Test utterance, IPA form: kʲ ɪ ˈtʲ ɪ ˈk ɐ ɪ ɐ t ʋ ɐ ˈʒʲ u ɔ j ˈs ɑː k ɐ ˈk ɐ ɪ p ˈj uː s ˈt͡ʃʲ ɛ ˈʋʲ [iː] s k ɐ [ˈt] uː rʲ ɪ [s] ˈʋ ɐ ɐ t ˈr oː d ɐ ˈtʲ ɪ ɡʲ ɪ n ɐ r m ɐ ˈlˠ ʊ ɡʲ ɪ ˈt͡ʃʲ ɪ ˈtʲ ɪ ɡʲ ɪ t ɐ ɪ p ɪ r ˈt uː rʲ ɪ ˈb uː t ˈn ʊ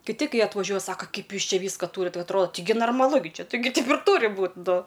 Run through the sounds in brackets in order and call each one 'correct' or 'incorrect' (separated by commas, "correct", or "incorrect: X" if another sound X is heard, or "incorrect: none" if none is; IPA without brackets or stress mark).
correct, correct, incorrect: t